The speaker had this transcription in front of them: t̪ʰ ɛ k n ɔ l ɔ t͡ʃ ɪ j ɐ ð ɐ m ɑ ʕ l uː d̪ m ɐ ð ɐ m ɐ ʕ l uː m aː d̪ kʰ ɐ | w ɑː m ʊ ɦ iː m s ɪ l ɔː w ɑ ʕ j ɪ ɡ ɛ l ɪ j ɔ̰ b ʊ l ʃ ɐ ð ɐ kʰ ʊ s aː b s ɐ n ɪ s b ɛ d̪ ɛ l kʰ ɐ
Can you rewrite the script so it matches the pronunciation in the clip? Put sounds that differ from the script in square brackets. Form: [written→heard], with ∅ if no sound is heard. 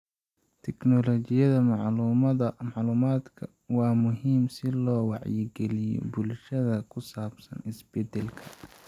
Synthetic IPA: t̪ʰ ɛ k n ɔ l ɔ t͡ʃ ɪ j ɐ ð ɐ m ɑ ʕ l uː [d̪→∅] m ɐ ð ɐ m [ɐ→ɑ] ʕ l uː m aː d̪ kʰ ɐ | w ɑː m ʊ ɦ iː m s ɪ l ɔː w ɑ ʕ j ɪ ɡ ɛ l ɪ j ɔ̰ b ʊ l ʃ ɐ ð ɐ kʰ ʊ s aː b s ɐ n ɪ s b ɛ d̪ ɛ l kʰ ɐ